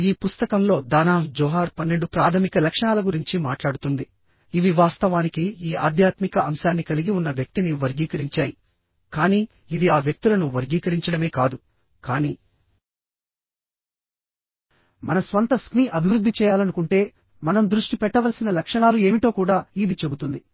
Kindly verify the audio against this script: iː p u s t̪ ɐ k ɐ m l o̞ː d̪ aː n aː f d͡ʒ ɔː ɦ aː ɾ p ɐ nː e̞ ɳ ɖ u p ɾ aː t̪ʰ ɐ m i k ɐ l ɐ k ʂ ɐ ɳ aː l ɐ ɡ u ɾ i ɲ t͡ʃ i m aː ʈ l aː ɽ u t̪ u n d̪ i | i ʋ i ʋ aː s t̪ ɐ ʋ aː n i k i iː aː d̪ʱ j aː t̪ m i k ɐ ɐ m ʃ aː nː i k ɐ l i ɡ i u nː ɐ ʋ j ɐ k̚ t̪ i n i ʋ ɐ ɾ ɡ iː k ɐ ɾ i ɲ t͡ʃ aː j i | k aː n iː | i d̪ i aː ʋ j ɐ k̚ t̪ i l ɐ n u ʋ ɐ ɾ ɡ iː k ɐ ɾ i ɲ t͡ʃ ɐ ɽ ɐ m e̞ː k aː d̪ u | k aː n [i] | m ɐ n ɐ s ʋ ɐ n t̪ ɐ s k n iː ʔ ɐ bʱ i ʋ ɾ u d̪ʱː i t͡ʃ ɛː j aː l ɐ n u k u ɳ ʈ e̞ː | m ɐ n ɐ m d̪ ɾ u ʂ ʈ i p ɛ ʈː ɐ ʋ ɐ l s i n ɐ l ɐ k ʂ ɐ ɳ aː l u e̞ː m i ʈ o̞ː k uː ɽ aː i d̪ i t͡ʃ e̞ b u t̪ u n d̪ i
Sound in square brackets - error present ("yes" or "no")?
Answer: yes